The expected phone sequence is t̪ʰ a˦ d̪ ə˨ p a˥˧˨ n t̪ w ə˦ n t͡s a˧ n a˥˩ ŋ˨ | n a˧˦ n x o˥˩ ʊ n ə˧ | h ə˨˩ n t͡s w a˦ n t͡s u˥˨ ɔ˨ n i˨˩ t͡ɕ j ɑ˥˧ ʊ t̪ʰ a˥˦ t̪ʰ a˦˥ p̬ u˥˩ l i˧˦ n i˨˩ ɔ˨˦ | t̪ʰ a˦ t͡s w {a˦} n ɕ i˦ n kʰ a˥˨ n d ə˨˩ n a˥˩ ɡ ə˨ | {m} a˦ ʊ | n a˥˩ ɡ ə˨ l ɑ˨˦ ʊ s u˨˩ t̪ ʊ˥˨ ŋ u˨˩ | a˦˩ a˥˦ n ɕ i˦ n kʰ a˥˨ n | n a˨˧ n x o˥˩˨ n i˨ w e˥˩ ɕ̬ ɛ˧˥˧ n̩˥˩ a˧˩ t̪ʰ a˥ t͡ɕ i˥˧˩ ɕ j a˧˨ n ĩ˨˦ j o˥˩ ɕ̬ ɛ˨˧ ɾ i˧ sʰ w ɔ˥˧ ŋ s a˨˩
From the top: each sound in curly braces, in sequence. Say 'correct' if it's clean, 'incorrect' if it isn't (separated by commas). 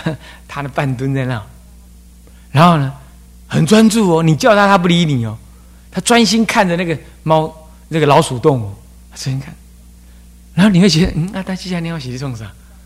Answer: correct, correct